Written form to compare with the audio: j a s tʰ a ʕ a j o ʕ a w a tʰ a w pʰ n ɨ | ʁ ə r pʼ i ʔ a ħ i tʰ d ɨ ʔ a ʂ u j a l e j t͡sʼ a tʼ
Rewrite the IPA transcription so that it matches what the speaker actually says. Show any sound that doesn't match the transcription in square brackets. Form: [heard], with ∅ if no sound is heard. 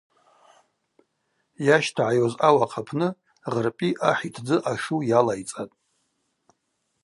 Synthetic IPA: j a [ʃ] tʰ a ʕ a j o [z] a w a [qʰ] a [∅] pʰ n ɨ | ʁ ə r pʼ i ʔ a ħ i tʰ [d͡z] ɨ ʔ a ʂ u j a l [a] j t͡sʼ a tʼ